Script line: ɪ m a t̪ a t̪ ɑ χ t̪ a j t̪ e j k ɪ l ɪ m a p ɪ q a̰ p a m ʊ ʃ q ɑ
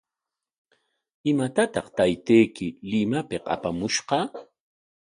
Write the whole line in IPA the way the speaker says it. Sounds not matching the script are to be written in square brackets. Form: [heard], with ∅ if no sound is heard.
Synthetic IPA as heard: ɪ m a t̪ a t̪ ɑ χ t̪ a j t̪ e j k ɪ l ɪ m a p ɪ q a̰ p a m ʊ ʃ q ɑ